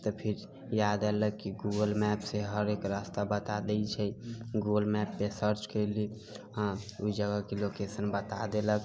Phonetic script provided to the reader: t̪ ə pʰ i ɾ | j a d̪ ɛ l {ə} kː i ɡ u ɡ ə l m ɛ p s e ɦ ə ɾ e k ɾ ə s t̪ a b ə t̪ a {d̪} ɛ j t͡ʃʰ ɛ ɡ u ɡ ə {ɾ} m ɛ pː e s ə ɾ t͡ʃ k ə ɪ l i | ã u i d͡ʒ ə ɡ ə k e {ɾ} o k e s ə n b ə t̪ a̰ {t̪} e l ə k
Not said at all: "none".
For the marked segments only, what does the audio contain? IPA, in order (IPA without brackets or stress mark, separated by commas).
ə, d̪, l, l, d̪